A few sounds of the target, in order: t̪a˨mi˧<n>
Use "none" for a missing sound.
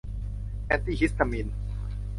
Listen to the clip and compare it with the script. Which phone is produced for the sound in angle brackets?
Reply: n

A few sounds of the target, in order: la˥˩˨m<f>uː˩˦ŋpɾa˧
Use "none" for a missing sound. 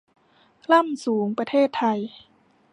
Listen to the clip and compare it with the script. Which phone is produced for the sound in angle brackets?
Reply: s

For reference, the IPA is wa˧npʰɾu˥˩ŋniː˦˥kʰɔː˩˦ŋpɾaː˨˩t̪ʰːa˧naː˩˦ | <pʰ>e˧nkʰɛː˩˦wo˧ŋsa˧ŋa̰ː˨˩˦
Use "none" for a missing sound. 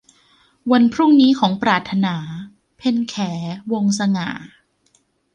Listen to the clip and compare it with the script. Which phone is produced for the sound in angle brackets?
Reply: pʰ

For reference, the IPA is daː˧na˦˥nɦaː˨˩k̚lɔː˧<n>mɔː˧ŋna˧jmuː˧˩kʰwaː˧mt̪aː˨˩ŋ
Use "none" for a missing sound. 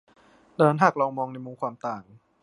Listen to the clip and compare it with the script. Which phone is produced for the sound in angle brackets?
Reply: ŋ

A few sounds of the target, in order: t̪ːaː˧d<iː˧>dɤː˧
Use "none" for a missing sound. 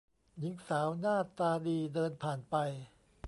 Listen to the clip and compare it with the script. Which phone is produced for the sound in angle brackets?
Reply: iː˧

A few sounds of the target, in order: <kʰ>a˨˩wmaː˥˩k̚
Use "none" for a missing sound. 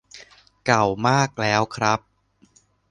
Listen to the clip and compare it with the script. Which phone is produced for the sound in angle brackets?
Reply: k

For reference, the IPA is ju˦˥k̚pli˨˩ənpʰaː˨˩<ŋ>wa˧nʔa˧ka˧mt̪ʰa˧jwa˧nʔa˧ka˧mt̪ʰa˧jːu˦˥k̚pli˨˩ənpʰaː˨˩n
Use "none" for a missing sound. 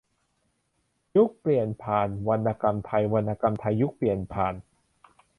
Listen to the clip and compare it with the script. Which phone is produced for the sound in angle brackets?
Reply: n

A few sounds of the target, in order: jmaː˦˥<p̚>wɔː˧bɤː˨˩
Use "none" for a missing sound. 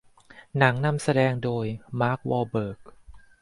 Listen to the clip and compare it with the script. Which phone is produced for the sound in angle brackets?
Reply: k̚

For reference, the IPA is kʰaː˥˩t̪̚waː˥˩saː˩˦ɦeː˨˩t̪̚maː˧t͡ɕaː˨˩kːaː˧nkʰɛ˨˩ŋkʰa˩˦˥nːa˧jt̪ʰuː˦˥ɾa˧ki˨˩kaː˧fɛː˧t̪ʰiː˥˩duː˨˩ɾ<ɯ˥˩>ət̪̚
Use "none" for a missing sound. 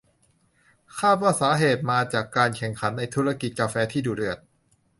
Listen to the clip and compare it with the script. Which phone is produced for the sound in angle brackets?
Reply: ɯ˨˩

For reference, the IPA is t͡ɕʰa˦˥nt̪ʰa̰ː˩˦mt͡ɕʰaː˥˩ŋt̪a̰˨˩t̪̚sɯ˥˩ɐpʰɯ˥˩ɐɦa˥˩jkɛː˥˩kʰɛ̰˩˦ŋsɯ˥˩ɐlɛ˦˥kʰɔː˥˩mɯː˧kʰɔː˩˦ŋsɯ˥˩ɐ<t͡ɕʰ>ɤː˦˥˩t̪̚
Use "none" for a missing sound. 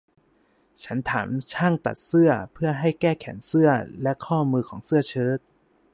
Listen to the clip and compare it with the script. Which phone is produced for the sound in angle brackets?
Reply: t͡ɕʰ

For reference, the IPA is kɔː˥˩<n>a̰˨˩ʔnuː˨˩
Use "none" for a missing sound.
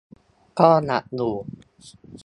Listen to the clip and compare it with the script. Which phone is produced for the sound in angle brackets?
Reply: n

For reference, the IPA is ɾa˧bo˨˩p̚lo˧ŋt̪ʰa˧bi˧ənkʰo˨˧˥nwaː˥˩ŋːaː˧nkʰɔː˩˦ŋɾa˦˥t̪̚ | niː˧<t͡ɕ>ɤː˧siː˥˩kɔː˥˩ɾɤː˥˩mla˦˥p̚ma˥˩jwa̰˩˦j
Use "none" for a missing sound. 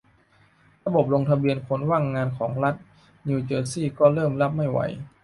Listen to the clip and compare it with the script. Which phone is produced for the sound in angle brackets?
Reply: t͡ɕ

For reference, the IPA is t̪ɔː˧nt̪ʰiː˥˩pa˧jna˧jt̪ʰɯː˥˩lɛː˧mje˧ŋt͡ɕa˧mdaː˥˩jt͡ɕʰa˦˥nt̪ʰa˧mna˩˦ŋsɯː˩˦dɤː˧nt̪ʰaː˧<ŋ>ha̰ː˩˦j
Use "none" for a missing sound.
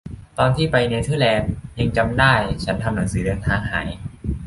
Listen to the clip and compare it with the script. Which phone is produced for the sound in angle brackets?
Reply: ŋ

